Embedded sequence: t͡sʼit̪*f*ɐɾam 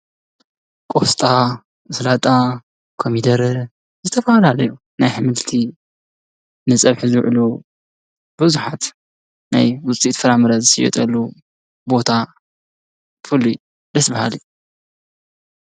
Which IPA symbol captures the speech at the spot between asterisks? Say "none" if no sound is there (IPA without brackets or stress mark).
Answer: f